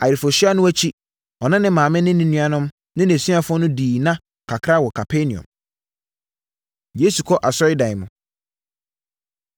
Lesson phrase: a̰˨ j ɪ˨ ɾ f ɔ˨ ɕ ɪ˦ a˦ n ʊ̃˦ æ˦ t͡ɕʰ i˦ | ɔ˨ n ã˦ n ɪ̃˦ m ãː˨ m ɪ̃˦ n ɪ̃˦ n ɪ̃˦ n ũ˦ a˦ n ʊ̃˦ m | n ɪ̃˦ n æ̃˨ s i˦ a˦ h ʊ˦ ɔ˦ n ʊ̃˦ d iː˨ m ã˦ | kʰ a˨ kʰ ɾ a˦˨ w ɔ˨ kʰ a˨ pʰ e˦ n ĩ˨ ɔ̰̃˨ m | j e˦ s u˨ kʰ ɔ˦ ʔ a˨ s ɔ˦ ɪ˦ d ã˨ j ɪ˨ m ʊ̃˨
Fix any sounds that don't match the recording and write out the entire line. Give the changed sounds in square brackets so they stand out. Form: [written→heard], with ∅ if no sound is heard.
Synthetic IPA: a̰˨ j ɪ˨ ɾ f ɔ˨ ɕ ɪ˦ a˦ n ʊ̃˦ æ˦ t͡ɕʰ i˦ | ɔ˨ n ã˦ n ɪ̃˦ m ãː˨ m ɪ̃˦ n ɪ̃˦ n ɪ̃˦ n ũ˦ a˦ n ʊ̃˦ m | n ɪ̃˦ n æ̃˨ s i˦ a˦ [h→f] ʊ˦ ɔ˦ n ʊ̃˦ d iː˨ [m→n] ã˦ | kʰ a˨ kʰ ɾ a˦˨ w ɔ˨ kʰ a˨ pʰ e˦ n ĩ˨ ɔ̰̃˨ m | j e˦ s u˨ kʰ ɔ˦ ʔ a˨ s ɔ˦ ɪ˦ d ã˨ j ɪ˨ m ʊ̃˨